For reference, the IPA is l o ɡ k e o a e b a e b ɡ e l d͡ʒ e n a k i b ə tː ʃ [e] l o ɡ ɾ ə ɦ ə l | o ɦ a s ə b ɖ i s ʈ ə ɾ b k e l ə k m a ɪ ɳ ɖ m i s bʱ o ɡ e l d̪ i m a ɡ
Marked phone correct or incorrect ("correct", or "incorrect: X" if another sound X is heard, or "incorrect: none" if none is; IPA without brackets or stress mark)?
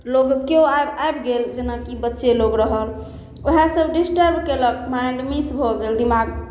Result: correct